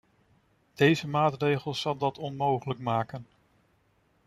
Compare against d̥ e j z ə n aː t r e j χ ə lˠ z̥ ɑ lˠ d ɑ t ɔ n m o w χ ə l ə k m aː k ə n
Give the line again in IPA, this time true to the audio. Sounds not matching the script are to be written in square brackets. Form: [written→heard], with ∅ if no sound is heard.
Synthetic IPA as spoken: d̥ e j z ə [n→m] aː t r e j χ ə lˠ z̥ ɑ lˠ d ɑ t ɔ n m o w χ ə l ə k m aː k ə n